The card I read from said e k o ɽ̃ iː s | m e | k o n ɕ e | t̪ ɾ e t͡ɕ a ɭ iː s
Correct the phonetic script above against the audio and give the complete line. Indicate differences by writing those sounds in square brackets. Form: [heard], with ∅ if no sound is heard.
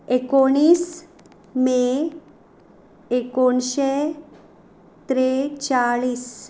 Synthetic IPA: e k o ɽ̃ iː s | m e | k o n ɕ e | t̪ ɾ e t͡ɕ a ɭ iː s